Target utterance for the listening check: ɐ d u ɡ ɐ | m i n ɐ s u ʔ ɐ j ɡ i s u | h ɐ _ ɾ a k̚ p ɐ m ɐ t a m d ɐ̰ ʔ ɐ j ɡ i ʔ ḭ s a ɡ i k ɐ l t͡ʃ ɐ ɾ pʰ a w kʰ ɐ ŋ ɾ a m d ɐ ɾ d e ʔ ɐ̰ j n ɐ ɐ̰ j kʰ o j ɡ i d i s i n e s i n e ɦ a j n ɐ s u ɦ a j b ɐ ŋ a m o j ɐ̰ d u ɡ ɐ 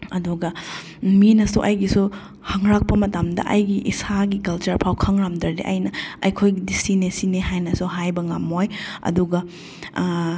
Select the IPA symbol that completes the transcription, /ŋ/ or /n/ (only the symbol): ŋ